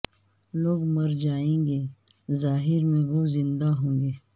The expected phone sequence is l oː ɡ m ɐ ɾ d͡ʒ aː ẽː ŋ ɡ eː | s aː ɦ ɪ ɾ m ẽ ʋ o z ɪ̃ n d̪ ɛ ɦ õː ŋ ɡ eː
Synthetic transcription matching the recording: l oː ɡ m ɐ ɾ d͡ʒ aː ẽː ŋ ɡ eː | z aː ɦ ɪ ɾ m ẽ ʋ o z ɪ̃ n d̪ a ɦ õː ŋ ɡ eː